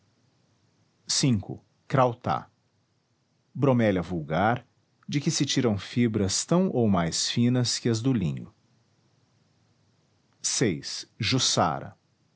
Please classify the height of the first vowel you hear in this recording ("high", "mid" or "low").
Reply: high